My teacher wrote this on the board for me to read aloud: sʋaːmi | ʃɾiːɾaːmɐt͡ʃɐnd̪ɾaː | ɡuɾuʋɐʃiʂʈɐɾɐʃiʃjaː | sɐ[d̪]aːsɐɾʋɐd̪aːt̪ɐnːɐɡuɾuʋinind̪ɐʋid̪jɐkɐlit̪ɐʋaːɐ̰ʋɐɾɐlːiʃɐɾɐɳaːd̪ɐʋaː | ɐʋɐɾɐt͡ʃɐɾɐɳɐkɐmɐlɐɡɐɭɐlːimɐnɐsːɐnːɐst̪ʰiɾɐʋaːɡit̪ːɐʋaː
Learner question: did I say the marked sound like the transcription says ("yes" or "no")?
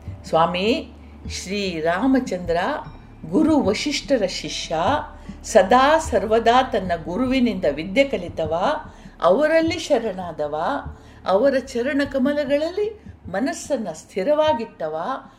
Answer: yes